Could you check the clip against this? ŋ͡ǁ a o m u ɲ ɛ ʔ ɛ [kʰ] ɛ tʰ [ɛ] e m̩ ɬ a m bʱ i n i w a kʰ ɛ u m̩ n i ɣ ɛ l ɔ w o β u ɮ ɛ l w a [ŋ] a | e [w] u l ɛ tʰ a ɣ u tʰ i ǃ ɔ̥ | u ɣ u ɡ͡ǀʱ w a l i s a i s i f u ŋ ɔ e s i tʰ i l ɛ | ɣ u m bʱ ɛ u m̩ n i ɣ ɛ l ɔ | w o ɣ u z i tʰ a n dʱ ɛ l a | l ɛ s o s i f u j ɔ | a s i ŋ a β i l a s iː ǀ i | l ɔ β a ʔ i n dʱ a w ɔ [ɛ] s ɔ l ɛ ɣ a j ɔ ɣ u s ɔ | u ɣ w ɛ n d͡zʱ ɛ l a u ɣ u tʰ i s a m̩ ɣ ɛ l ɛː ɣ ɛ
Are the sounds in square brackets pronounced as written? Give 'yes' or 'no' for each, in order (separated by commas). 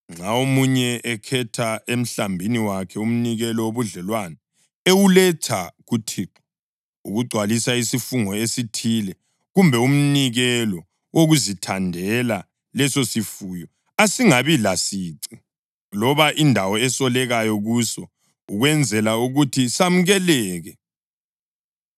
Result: yes, no, no, yes, yes